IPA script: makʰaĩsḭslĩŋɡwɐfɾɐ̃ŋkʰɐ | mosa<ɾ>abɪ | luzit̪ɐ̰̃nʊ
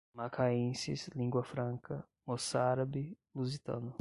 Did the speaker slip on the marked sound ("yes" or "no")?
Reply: no